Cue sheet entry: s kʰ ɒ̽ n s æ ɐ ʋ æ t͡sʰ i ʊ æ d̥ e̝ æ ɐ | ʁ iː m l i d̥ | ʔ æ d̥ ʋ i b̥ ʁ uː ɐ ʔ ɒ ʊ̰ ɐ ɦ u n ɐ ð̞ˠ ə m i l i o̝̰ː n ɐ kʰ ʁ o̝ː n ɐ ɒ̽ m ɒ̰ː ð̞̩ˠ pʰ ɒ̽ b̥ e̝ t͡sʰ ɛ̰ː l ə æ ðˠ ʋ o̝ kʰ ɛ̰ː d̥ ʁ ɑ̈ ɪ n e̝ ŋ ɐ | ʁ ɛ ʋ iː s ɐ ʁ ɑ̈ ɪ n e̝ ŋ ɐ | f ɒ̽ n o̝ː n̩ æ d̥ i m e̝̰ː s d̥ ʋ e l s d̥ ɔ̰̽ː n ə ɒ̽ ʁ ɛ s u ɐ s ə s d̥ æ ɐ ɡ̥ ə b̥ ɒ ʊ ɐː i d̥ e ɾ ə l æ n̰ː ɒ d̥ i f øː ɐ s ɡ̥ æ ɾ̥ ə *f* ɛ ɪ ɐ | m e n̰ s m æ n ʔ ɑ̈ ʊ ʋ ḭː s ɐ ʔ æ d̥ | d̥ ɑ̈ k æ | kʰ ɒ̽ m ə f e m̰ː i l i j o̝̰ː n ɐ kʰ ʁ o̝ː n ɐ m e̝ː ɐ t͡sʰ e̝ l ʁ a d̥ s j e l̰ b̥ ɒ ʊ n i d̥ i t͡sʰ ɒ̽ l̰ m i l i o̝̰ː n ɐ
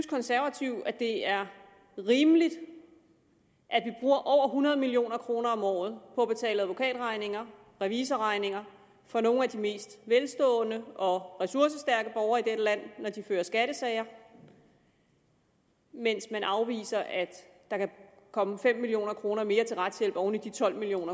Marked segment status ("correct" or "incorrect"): incorrect